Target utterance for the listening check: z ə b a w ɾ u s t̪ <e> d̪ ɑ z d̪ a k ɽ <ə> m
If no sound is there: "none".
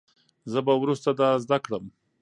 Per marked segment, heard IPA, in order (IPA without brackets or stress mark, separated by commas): a, ə